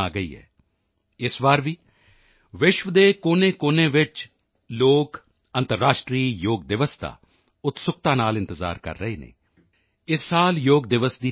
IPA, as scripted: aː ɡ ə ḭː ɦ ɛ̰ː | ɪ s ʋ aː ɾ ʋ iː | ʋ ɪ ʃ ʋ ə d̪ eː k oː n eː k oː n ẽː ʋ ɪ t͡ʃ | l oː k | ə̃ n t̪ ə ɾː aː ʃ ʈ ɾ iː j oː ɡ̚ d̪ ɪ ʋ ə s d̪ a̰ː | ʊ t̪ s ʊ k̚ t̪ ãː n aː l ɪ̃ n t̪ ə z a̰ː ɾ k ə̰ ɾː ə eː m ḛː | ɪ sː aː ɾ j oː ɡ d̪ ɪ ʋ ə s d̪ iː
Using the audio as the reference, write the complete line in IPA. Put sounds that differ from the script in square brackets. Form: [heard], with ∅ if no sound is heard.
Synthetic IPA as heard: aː ɡ ə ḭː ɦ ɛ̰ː | ɪ s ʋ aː ɾ ʋ iː | ʋ ɪ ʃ ʋ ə d̪ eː k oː n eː k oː n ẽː ʋ ɪ t͡ʃ | l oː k | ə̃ n t̪ ə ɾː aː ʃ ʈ ɾ iː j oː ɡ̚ d̪ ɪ ʋ ə s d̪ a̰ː | ʊ t̪ s ʊ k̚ t̪ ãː n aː l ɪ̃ n t̪ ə z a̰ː ɾ k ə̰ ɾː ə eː [n] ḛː | ɪ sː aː [l] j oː ɡ d̪ ɪ ʋ ə s d̪ iː